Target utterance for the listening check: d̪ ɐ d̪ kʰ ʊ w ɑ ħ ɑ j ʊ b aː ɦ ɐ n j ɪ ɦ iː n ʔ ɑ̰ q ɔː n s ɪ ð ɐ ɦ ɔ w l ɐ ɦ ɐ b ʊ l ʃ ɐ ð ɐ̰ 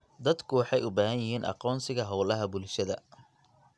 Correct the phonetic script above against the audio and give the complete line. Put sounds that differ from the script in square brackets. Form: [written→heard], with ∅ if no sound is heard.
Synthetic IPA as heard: d̪ ɐ d̪ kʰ ʊ w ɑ ħ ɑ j ʊ b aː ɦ ɐ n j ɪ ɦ iː n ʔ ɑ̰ q ɔː n s ɪ [ð→ɣ] ɐ ɦ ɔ w l ɐ ɦ ɐ b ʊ l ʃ ɐ ð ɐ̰